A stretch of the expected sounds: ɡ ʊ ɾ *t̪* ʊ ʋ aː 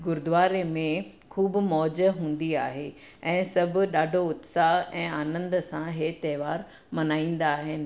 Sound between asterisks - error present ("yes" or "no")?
yes